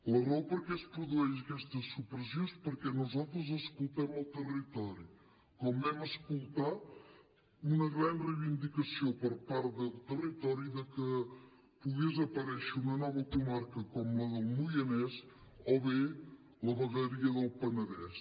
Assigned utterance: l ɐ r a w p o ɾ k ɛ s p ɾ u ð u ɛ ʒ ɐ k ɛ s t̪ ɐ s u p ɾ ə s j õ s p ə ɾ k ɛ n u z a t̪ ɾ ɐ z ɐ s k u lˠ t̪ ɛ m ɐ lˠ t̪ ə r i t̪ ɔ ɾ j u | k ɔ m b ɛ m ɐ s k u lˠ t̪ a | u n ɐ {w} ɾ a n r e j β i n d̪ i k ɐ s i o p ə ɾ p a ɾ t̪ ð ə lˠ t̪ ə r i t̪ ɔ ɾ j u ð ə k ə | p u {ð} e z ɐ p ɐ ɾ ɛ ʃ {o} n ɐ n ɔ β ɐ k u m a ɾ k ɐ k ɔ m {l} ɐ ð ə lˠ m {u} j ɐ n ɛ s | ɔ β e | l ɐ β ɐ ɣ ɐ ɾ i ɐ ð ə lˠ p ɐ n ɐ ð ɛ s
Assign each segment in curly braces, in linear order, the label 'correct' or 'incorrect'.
incorrect: ɣ, incorrect: ɣ, incorrect: u, correct, correct

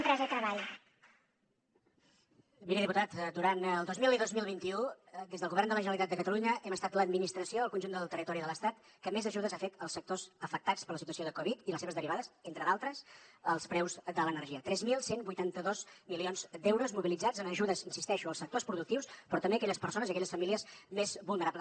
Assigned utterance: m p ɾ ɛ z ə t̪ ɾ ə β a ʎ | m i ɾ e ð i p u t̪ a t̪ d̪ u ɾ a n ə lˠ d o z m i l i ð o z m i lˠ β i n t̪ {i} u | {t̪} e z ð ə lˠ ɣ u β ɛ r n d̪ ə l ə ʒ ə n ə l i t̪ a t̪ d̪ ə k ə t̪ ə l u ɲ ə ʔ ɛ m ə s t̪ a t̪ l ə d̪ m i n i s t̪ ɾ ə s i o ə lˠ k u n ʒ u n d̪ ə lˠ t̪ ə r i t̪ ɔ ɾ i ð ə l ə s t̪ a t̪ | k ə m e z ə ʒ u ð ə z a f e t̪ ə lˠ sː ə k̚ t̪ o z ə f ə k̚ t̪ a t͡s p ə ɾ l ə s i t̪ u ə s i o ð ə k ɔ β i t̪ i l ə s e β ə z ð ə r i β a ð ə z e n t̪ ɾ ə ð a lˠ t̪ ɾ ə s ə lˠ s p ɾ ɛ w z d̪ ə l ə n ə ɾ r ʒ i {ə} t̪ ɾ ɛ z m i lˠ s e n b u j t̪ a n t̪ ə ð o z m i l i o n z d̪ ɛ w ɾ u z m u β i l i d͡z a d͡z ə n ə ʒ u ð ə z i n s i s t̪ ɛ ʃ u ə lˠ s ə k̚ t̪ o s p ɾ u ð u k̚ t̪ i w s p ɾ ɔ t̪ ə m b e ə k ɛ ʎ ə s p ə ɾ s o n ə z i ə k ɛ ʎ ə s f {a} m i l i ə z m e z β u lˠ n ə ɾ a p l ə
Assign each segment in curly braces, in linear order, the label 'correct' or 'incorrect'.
correct, incorrect: d̪, correct, incorrect: ə

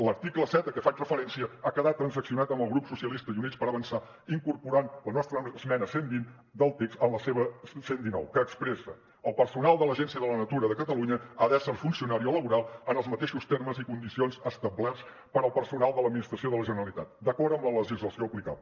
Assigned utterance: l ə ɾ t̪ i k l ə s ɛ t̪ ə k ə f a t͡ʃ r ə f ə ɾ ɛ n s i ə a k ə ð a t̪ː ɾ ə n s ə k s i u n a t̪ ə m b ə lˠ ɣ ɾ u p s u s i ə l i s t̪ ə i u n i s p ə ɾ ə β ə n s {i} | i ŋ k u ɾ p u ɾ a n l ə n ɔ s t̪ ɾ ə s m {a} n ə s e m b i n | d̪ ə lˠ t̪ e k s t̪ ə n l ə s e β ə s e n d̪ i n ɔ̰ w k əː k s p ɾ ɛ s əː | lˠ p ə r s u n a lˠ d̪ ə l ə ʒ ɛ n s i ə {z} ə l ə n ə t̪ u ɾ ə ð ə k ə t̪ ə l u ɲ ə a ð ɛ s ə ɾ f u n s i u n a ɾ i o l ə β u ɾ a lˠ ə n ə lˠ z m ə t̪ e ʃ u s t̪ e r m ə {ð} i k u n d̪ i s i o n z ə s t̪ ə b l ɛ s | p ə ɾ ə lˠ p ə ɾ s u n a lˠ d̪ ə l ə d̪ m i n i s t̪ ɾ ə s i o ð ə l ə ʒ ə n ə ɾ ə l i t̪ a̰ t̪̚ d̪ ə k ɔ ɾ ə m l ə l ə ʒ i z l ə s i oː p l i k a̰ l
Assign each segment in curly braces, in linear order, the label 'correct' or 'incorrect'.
incorrect: a, incorrect: ɛ, incorrect: ð, incorrect: z

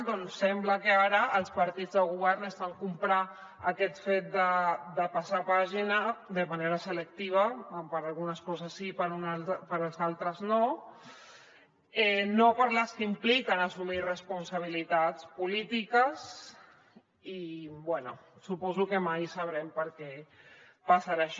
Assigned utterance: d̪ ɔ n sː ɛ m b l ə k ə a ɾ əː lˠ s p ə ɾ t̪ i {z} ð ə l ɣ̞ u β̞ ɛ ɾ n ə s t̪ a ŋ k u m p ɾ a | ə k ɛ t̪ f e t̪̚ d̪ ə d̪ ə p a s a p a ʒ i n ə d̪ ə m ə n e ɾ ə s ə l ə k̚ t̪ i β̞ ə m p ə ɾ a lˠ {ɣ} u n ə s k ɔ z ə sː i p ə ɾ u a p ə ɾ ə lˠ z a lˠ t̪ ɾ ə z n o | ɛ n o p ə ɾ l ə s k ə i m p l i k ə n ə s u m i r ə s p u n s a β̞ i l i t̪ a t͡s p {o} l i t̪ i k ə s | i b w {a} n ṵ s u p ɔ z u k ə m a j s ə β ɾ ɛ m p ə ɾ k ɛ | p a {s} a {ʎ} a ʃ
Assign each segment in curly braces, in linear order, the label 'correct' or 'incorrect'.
incorrect: d͡z, correct, incorrect: u, incorrect: ɛ, correct, incorrect: ɾ

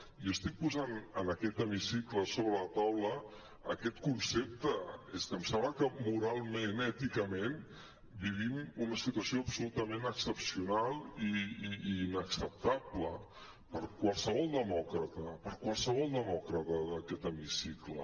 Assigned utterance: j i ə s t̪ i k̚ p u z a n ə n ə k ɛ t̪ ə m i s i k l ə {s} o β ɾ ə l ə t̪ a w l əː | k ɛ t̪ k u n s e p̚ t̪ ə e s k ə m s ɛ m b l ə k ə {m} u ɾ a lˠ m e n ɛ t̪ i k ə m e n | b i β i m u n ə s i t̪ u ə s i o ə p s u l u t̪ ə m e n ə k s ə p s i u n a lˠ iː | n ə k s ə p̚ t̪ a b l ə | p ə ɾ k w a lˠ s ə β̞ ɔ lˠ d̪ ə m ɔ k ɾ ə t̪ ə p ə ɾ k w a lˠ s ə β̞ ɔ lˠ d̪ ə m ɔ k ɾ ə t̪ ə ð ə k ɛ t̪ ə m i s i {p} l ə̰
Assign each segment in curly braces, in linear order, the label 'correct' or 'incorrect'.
correct, correct, incorrect: k

